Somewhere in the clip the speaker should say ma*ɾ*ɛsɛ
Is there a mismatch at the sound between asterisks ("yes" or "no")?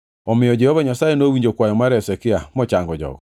no